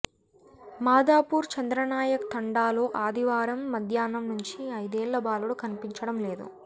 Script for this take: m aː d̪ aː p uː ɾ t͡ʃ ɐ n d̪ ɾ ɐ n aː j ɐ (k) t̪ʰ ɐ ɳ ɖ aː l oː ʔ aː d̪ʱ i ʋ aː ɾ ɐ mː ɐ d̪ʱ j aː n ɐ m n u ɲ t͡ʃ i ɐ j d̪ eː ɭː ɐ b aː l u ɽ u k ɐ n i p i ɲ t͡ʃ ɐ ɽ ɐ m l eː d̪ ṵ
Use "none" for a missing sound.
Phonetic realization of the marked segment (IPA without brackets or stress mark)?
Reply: k